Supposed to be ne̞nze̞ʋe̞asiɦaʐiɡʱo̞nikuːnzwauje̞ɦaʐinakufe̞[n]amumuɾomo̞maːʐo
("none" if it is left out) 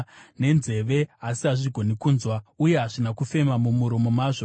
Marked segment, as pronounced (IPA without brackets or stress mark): m